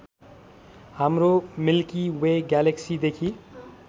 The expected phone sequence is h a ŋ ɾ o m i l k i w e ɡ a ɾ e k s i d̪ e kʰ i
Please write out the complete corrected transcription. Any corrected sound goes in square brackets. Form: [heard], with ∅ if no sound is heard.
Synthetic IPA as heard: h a [m] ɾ o m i l k i w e ɡ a [l] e k s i d̪ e kʰ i